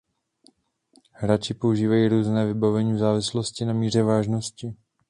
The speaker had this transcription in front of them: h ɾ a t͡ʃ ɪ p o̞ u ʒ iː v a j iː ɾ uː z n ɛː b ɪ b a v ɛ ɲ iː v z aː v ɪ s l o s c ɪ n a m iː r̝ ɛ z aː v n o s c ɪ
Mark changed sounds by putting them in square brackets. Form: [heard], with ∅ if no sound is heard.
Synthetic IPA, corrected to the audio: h ɾ a t͡ʃ ɪ p o̞ u ʒ iː v a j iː ɾ uː z n ɛː [v] ɪ b a v ɛ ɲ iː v z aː v ɪ s l o s c ɪ n a m iː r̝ ɛ [v] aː [ʒ] n o s c ɪ